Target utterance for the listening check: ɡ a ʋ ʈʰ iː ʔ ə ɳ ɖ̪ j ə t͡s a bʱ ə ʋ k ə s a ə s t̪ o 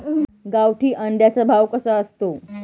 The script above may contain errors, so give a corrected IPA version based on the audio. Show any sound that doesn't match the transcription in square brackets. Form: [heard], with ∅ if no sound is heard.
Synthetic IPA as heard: ɡ a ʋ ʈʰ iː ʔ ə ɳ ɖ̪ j [a] t͡s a bʱ [a] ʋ k ə s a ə s t̪ o